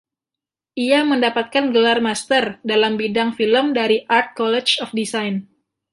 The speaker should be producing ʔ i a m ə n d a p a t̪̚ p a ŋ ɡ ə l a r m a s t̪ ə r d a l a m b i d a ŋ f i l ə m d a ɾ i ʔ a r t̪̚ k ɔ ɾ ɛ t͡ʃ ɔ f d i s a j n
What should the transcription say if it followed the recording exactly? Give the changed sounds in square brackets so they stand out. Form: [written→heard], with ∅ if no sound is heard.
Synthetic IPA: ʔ i a m ə n d a p a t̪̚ [p→k] a [ŋ→n] ɡ ə l a r m a s t̪ ə r d a l a m b i d a ŋ f i l ə m d a ɾ i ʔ a r t̪̚ k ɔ [ɾ→l] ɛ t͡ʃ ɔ f d i s a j n